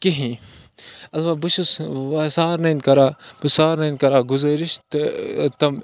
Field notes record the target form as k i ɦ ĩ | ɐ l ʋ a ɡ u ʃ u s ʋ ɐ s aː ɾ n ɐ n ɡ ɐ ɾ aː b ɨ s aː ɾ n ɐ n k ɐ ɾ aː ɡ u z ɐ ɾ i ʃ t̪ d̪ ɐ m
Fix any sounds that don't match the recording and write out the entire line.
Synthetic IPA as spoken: k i ɦ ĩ | ɐ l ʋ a b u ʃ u s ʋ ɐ s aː ɾ n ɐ n k ɐ ɾ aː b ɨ s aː ɾ n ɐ n k ɐ ɾ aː ɡ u z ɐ ɾ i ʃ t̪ t̪ ɐ m